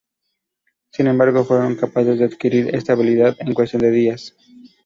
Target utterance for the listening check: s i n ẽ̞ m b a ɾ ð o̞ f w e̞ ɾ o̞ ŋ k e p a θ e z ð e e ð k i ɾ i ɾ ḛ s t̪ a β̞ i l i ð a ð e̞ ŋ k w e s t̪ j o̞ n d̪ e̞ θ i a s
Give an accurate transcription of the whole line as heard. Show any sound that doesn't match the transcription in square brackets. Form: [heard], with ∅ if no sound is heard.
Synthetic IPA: s i n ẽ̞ m b a ɾ [ɣ] o̞ f w e̞ ɾ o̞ ŋ k [a] p a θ e z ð e [a] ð k i ɾ i ɾ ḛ s t̪ a β̞ i l i ð a ð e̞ ŋ k w e s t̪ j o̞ n d̪ e̞ [ð] i a s